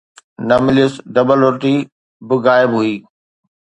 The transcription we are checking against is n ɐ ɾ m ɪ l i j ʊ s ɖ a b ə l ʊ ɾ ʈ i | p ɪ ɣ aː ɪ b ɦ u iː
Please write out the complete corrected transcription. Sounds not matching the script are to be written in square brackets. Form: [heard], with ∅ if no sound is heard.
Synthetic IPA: n ɐ [∅] m ɪ l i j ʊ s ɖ [ɐ] b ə l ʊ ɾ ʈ i | [b] ɪ ɣ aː ɪ b ɦ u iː